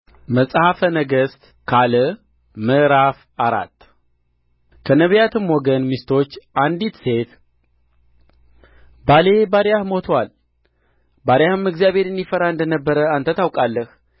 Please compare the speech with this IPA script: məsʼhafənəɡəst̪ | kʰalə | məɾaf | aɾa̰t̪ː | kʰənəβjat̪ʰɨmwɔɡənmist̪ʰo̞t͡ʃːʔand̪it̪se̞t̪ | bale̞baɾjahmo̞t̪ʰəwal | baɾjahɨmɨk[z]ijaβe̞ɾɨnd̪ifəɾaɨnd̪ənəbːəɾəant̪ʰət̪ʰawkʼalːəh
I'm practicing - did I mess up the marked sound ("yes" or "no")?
no